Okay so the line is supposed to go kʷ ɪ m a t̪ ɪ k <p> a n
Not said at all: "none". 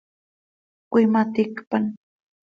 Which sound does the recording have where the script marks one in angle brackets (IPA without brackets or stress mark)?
p